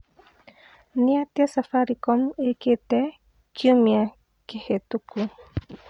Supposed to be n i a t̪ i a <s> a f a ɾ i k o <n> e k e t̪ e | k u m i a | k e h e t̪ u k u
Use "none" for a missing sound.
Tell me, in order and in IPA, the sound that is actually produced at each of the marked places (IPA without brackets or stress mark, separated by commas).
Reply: s, m